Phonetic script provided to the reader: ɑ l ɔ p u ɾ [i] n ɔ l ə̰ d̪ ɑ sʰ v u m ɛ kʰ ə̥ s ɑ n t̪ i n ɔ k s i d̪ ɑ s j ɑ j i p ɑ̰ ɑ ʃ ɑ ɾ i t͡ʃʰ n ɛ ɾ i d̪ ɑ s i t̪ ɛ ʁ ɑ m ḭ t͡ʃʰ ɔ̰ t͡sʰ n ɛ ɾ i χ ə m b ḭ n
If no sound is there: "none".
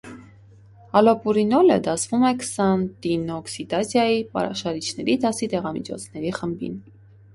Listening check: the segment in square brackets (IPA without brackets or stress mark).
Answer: i